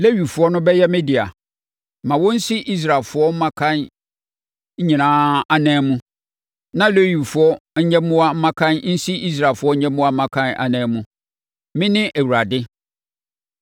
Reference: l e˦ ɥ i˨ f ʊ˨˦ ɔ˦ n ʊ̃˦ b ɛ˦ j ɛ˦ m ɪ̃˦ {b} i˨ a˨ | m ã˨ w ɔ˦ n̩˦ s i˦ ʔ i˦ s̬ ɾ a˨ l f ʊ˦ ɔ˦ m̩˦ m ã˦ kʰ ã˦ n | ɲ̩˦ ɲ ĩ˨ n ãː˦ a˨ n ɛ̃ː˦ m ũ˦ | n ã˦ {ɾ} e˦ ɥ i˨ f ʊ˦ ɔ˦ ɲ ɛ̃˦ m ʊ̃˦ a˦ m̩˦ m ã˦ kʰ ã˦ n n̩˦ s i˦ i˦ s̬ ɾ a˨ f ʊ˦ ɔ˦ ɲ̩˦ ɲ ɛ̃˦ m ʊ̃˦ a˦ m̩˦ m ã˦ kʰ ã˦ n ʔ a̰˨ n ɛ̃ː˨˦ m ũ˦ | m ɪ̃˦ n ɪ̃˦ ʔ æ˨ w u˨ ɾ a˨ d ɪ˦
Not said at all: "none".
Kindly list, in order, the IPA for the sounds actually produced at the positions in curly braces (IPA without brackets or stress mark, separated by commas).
d, l